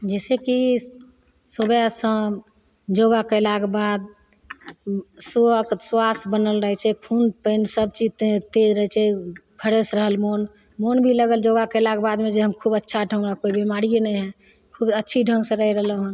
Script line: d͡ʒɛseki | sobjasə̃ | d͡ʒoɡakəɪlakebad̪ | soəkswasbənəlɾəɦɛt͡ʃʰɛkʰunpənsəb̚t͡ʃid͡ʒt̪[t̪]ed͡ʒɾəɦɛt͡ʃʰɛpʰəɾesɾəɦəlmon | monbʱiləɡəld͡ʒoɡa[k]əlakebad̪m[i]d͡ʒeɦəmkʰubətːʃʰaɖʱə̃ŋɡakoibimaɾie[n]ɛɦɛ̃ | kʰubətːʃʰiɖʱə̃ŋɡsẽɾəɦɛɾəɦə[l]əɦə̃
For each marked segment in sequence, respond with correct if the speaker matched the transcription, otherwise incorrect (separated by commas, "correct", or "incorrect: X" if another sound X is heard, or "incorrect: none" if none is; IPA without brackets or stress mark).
correct, correct, incorrect: e, correct, correct